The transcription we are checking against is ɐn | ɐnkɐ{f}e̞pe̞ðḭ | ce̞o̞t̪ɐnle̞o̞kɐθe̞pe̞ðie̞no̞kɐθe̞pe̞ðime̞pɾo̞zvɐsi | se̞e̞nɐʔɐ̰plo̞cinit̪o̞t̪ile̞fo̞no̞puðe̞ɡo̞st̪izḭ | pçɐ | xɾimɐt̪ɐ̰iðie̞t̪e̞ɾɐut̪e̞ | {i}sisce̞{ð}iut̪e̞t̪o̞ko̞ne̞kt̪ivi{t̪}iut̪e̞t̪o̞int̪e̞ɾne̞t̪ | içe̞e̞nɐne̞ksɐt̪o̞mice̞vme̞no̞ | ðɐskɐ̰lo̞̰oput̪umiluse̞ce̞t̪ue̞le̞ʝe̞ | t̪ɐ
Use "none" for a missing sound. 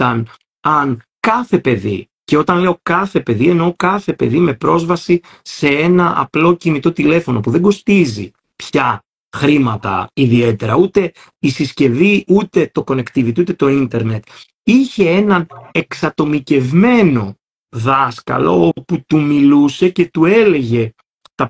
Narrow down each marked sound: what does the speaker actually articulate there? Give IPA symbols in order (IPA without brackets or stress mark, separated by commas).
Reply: θ, i, v, t̪